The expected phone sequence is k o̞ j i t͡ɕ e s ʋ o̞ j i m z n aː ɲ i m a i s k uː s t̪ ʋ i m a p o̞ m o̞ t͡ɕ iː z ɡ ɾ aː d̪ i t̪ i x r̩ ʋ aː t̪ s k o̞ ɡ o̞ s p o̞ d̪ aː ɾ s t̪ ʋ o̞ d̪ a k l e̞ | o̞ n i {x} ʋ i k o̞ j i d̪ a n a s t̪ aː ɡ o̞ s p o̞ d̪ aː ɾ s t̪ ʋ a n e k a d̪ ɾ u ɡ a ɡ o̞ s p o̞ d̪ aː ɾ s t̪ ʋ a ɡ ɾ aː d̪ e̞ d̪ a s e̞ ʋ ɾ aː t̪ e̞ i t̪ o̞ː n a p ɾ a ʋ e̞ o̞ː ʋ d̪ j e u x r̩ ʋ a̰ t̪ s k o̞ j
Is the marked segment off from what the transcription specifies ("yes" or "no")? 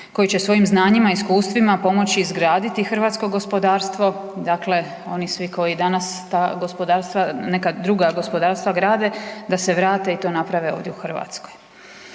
yes